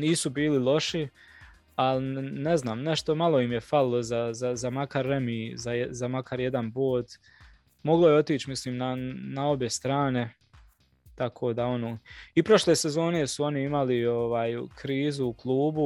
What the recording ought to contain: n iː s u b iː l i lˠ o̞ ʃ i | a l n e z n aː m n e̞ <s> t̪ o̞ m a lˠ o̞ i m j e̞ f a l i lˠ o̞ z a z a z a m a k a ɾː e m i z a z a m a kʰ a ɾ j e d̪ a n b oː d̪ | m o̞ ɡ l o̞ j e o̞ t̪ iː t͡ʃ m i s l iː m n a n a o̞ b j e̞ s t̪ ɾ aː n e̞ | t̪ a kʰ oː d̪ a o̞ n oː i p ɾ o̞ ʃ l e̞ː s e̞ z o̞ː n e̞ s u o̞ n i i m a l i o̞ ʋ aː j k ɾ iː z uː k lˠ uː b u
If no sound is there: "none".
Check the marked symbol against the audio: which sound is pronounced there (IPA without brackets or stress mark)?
ʃ